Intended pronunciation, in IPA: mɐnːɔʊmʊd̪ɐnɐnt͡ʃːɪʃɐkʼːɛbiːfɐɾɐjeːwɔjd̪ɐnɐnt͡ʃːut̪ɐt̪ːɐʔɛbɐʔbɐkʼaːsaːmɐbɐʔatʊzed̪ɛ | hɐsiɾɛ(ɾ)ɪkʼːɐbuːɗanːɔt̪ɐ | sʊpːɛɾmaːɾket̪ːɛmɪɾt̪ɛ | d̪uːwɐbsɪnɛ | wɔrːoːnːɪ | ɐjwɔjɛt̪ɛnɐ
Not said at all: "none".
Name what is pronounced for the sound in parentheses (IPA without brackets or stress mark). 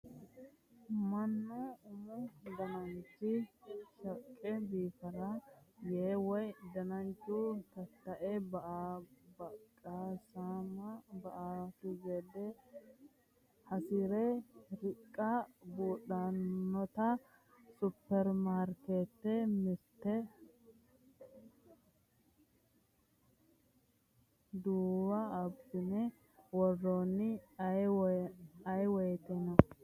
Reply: ɾ